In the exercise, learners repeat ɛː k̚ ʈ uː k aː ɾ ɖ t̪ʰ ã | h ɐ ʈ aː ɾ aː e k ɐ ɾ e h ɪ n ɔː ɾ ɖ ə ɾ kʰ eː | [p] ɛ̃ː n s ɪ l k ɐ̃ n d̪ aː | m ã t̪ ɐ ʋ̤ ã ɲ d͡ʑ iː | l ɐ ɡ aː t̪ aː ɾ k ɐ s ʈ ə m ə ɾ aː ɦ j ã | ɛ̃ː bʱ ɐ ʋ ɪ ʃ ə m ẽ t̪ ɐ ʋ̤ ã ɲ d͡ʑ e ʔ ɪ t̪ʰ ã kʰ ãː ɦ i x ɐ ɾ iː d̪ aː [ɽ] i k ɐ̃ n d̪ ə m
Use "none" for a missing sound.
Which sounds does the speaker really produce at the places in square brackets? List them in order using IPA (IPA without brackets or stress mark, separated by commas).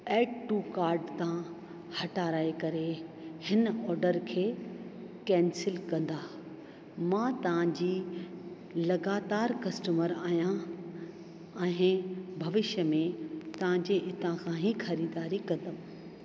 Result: k, ɾ